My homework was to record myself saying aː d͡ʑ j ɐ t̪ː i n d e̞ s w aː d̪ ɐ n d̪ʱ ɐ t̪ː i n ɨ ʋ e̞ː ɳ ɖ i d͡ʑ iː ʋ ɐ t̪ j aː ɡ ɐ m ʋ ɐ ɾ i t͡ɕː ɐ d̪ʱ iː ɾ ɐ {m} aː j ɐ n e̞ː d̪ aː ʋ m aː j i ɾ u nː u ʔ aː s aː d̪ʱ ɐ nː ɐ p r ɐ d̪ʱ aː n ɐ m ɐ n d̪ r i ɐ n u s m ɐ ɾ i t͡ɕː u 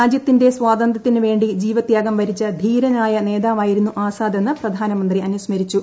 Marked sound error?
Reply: yes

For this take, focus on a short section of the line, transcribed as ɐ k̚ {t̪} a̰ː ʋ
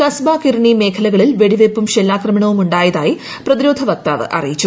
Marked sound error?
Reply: no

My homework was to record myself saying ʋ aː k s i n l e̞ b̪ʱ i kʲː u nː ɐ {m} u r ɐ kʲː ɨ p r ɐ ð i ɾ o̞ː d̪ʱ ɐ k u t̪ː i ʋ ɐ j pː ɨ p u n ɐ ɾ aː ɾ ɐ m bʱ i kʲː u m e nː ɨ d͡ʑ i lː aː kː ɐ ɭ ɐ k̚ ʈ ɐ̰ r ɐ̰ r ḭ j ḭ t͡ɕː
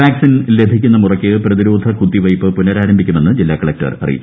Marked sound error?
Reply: no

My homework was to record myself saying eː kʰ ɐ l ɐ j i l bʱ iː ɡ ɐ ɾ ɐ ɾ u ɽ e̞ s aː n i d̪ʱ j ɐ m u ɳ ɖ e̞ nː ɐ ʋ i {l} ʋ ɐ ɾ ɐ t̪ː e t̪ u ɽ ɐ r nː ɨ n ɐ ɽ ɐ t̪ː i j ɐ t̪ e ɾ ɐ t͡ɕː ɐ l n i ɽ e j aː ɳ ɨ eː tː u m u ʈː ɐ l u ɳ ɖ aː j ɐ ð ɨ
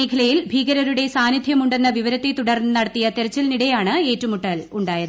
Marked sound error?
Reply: yes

